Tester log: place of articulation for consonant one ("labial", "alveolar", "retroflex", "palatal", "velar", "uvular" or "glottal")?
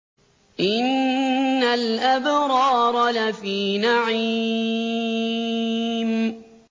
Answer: glottal